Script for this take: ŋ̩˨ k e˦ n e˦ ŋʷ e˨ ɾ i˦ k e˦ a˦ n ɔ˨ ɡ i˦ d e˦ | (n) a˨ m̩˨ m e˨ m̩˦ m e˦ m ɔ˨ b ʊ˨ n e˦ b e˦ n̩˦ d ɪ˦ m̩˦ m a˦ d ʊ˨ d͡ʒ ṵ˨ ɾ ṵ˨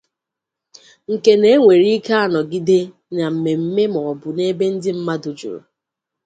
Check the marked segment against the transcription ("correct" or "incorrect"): correct